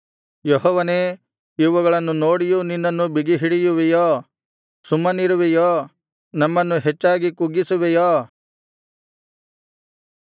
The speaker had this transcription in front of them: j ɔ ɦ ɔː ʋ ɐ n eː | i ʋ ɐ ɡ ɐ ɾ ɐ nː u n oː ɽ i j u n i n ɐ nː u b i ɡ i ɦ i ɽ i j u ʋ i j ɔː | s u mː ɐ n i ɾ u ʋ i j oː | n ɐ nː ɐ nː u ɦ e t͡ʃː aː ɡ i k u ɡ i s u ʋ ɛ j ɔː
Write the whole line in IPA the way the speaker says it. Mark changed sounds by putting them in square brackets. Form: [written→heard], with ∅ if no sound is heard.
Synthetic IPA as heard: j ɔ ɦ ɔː ʋ ɐ n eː | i ʋ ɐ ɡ ɐ [ɾ→ɭ] ɐ nː u n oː ɽ i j u n i [n→nː] ɐ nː u b i ɡ i ɦ i ɽ i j u ʋ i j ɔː | s u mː ɐ n i ɾ u ʋ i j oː | n ɐ [nː→mː] ɐ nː u ɦ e t͡ʃː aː ɡ i k u ɡ i s u ʋ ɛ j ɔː